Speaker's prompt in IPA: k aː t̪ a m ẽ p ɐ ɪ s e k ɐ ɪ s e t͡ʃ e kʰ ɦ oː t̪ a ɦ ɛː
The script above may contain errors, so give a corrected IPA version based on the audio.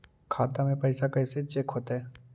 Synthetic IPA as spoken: kʰ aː t̪ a m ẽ p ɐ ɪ s a k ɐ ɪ s e t͡ʃ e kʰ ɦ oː t̪ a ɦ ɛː

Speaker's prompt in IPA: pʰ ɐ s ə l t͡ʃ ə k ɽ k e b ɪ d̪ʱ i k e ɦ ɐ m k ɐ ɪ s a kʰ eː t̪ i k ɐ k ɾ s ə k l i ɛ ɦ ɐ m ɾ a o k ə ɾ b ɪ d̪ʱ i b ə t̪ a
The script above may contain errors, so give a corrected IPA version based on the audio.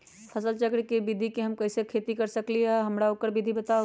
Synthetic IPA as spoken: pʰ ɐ s ə l t͡ʃ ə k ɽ k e b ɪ d̪ʱ i k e ɦ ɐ m k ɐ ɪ s e kʰ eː t̪ i k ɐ ɾ s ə k l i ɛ ɦ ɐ m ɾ a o k ə ɾ b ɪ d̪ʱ i b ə t̪ a

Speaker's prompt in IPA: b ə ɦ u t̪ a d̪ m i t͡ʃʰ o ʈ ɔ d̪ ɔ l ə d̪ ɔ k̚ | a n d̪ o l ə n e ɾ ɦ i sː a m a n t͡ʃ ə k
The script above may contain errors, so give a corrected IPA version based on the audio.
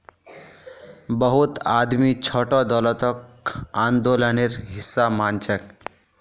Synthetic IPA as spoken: b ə ɦ u t̪ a d̪ m i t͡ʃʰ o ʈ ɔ d̪ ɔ l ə t̪ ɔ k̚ | a n d̪ o l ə n e ɾ ɦ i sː a m a n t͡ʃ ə k

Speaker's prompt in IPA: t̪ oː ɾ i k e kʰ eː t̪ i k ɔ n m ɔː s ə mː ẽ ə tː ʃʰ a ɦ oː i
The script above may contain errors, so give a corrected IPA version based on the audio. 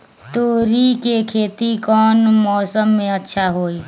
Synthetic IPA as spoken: t̪ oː ɾ i k e kʰ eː t̪ i k ɔː n m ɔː s ə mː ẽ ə tː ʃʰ a ɦ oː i

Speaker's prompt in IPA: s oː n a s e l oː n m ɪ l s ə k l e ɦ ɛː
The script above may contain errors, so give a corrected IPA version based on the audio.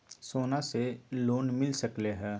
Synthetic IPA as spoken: s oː n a s e l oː n m ɪ l s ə k l e ɦ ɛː

